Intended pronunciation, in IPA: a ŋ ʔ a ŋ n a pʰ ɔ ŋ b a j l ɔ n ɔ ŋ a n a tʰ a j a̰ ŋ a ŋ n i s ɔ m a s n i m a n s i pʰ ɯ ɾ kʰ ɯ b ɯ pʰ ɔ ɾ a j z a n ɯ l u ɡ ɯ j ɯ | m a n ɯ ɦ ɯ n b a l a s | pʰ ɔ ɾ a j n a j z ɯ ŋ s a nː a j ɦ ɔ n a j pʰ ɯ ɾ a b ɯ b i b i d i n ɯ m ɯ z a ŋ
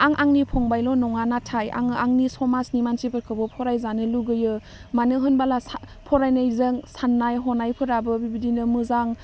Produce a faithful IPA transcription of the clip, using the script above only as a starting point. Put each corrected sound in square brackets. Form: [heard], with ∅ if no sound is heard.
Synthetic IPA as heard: a ŋ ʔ a ŋ n [i] pʰ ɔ ŋ b a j l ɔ n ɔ ŋ a n a tʰ a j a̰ ŋ a ŋ n i s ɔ m a s n i m a n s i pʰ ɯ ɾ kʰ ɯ b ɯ pʰ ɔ ɾ a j z a n ɯ l u ɡ ɯ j ɯ | m a n ɯ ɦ ɯ n b a l a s | pʰ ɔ ɾ a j n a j z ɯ ŋ s a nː a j ɦ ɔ n a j pʰ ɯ ɾ a b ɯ b i b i d i n ɯ m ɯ z a ŋ